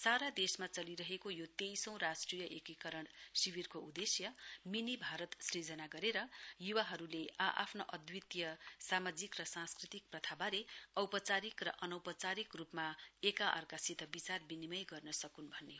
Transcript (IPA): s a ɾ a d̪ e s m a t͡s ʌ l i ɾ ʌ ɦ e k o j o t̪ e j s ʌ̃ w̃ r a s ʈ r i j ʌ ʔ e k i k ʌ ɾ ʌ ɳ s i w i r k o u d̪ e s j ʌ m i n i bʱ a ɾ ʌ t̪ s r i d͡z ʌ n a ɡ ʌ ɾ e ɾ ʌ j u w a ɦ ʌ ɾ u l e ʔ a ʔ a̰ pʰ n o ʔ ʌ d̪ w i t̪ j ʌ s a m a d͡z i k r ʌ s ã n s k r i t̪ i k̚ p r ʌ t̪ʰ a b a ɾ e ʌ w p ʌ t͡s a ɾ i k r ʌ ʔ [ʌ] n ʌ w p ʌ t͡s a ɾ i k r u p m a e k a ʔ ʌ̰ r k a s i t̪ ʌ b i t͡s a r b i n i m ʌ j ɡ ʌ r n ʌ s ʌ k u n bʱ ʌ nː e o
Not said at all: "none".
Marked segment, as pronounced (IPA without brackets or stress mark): ʌ